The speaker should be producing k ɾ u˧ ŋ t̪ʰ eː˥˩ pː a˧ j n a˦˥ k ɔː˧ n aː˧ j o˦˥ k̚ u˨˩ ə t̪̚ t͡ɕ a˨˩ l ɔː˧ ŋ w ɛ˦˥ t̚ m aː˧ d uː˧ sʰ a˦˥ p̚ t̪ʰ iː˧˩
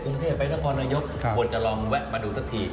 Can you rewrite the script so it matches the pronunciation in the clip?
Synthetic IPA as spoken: k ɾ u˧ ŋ t̪ʰ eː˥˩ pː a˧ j n a˦˥ kʰ ɔː˧ n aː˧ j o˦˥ k̚ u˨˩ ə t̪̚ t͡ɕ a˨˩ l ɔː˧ ŋ w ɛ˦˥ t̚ m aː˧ d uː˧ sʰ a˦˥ k̚ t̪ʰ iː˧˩